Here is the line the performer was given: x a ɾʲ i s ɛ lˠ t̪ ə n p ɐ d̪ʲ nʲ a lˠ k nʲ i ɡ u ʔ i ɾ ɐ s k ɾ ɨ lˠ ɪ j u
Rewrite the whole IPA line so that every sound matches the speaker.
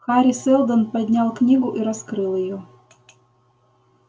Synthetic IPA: x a ɾʲ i s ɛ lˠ d̪ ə n p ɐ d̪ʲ nʲ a lˠ k nʲ i ɡ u ʔ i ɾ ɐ s k ɾ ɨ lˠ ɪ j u